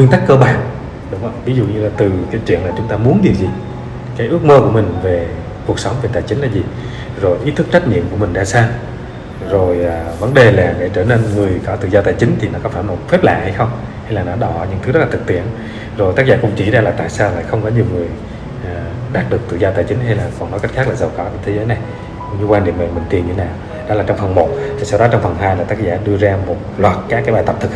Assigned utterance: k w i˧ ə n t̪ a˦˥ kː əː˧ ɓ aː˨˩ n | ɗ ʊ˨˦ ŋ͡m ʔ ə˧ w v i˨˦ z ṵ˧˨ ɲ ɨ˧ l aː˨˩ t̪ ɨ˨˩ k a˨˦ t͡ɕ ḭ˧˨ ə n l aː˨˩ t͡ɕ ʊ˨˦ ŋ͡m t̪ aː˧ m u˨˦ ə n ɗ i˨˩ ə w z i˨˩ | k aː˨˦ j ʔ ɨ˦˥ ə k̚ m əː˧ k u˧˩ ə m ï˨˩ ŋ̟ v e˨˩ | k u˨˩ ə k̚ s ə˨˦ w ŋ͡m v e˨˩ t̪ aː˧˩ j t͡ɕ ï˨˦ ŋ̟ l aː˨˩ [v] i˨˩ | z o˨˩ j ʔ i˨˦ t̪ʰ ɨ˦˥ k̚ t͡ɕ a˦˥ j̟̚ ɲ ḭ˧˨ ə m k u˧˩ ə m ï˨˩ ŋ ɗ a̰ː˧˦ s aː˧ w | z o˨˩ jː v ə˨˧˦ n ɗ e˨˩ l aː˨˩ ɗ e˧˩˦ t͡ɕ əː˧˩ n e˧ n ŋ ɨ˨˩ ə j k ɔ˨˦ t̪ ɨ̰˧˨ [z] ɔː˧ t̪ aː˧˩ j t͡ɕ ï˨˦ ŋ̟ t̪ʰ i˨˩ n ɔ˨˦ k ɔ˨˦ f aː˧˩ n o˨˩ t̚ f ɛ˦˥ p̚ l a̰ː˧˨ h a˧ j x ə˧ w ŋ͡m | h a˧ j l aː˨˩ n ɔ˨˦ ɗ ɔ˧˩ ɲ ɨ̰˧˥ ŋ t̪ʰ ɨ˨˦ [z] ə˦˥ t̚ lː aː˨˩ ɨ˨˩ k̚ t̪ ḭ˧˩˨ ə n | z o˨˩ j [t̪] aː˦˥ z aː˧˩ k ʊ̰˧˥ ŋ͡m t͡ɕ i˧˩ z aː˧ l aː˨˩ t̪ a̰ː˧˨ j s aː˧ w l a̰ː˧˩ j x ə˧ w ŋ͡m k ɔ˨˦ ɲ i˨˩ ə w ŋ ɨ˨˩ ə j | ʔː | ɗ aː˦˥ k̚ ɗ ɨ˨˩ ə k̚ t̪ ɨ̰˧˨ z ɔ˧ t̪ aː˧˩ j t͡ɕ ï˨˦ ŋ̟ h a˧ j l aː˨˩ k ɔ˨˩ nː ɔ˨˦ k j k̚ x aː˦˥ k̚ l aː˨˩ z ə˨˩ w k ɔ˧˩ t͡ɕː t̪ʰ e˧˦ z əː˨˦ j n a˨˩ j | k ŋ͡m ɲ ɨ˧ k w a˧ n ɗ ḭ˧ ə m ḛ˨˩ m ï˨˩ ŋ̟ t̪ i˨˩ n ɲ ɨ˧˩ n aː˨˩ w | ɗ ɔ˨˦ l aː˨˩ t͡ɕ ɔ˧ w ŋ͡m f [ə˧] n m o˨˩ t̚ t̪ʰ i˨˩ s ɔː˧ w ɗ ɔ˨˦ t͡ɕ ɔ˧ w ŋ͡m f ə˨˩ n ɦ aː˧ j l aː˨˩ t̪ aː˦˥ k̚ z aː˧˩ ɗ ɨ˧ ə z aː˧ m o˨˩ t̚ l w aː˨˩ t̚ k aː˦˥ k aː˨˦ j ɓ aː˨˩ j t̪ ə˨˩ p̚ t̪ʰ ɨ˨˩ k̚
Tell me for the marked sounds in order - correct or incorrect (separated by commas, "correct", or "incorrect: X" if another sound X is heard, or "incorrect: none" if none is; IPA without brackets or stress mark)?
incorrect: z, correct, correct, correct, incorrect: ə˨˩